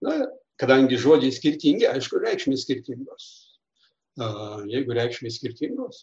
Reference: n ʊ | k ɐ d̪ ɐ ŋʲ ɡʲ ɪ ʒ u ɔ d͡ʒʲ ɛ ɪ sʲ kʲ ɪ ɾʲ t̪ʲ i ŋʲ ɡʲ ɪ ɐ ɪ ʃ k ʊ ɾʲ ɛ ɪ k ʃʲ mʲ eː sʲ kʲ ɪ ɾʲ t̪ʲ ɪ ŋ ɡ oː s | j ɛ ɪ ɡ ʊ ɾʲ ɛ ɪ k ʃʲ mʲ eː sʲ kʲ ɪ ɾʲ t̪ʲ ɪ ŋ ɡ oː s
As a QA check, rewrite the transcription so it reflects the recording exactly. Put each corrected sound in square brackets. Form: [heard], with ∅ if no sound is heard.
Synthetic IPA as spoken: n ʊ | k ɐ d̪ ɐ ŋʲ ɡʲ ɪ ʒ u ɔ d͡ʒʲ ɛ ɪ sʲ kʲ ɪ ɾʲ t̪ʲ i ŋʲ ɡʲ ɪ ɐ ɪ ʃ k ʊ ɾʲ ɛ ɪ k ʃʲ mʲ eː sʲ kʲ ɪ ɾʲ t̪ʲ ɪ ŋ ɡ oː s | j ɛ ɪ ɡ ʊ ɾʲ ɛ ɪ k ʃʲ mʲ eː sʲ kʲ ɪ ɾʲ t̪ʲ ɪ ŋ ɡ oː s